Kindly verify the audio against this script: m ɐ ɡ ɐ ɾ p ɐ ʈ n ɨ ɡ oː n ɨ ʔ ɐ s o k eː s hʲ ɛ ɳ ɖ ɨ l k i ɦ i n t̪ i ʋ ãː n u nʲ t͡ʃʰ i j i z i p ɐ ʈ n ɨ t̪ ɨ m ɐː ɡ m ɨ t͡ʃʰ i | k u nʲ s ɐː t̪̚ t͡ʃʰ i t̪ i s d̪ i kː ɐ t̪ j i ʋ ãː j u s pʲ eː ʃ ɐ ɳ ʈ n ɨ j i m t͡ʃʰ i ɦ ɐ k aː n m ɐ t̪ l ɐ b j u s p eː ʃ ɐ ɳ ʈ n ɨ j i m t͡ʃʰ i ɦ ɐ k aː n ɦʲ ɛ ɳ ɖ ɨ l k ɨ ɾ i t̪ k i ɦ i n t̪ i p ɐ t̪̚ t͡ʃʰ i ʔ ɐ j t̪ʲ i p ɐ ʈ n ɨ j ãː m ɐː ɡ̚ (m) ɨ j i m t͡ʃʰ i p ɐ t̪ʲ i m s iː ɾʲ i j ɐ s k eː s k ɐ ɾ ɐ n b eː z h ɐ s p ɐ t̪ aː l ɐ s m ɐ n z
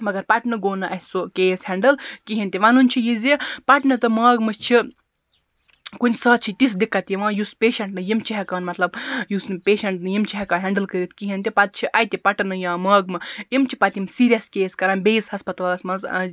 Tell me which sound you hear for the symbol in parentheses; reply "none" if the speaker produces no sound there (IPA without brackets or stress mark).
m